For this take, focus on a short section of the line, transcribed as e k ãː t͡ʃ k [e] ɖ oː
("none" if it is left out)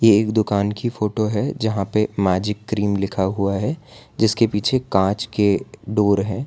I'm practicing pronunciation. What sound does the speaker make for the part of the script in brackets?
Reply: e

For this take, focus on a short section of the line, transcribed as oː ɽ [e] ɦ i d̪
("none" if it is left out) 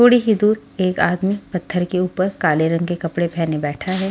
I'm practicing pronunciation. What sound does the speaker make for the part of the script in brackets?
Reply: i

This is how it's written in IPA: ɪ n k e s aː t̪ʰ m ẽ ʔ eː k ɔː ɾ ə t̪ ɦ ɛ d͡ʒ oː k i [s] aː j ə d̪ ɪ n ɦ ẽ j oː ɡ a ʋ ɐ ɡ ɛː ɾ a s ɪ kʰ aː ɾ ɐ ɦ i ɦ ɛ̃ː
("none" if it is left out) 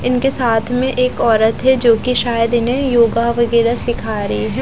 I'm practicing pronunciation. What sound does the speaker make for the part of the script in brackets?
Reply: ʃ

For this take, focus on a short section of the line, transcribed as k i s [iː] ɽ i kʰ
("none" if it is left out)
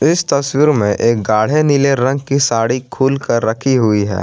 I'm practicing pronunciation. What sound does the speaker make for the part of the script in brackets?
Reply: aː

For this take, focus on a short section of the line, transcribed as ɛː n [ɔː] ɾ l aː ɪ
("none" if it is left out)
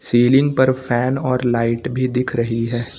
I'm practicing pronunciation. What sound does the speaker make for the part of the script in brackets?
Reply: ɔː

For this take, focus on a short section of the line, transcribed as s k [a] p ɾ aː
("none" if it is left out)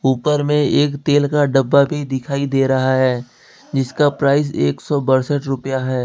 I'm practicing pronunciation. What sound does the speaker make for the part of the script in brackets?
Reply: a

